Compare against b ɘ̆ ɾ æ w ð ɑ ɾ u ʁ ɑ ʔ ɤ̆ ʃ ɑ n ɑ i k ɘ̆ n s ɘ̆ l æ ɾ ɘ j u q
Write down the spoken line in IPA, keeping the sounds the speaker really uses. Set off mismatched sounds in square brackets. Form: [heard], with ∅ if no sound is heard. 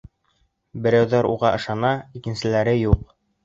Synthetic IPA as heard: b ɘ̆ ɾ æ w ð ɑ ɾ u ʁ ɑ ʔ ɤ̆ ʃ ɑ n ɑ i k ɘ̆ n s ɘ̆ l æ ɾ ɘ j u q